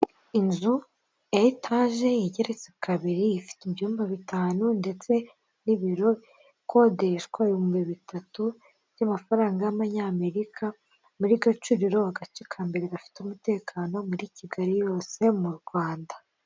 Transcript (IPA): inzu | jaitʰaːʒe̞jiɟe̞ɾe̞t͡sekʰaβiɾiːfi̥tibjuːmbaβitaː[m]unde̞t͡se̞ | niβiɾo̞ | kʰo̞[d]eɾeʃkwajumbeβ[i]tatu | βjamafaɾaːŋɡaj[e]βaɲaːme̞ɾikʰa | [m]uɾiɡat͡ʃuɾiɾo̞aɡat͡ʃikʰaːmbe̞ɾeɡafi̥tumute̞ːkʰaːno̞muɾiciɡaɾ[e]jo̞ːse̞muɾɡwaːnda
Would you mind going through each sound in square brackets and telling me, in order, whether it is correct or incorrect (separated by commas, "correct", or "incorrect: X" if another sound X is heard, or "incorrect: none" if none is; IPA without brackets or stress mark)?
incorrect: n, correct, correct, incorrect: a, correct, incorrect: i